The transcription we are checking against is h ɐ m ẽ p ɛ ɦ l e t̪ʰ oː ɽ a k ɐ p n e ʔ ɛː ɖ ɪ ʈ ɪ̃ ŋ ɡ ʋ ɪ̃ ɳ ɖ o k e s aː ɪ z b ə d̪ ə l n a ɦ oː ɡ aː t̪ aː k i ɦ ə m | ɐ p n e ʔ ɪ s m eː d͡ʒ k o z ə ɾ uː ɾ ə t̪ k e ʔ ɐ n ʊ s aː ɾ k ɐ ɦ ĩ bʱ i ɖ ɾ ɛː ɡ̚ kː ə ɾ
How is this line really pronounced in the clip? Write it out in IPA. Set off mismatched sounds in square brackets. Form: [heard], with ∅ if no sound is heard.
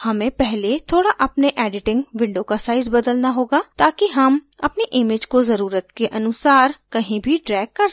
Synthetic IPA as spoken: h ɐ m ẽ p ɛ ɦ l e t̪ʰ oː ɽ a [ʔ] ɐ p n e ʔ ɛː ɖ ɪ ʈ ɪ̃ ŋ ɡ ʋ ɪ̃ ɳ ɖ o k [a] s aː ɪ z b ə d̪ ə l n a ɦ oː ɡ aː t̪ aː k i ɦ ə m | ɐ p n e ʔ ɪ [∅] m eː d͡ʒ k o z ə ɾ uː ɾ ə t̪ k e ʔ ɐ n ʊ s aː ɾ k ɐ ɦ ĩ bʱ i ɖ ɾ ɛː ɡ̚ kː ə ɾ